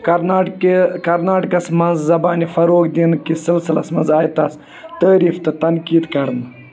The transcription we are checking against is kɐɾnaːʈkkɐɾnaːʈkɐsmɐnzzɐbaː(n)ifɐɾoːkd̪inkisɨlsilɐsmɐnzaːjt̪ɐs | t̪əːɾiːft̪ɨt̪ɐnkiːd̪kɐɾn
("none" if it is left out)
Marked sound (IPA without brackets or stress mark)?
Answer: n